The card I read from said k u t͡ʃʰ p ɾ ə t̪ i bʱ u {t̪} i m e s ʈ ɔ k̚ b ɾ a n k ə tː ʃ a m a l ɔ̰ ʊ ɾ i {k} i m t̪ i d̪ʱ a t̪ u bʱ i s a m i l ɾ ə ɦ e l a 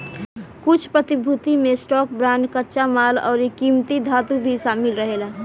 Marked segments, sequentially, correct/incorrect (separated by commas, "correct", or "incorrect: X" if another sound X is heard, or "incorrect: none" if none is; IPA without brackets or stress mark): correct, correct